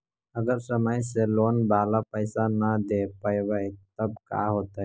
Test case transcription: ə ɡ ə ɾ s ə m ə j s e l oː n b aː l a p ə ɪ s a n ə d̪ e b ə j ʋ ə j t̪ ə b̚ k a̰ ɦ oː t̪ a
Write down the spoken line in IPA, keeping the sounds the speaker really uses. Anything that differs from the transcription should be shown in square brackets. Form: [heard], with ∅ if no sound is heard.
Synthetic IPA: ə ɡ ə ɾ s ə m ə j s e l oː n b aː l a p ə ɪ s a n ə d̪ e [p] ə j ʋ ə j t̪ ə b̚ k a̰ ɦ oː t̪ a